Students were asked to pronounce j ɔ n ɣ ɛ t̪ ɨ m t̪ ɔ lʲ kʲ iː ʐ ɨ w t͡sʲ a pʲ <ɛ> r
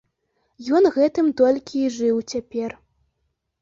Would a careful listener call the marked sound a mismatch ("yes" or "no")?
no